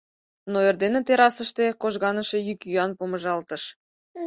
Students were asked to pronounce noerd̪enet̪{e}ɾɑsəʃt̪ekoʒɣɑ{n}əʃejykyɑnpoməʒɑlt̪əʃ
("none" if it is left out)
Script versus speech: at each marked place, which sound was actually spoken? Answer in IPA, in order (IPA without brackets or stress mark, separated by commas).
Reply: e, n